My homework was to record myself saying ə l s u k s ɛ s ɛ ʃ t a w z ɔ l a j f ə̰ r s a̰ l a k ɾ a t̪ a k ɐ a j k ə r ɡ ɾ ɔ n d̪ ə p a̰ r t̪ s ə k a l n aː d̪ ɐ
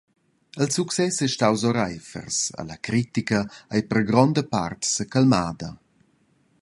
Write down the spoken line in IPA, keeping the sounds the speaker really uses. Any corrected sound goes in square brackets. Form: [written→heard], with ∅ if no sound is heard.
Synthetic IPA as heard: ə l s u k s ɛ s ɛ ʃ t a w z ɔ [l→ɾ] a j f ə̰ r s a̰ l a k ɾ [a→i] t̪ [a→i] k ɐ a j [k→p] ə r ɡ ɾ ɔ n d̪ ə p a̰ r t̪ s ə k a l [n→m] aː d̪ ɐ